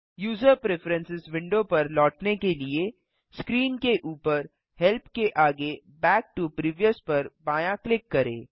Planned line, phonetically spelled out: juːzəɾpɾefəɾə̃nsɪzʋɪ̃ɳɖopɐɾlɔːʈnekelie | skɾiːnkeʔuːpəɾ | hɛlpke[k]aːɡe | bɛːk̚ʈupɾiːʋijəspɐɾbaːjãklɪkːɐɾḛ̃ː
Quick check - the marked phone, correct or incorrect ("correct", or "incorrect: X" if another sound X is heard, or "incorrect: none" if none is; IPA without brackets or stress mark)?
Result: incorrect: ʔ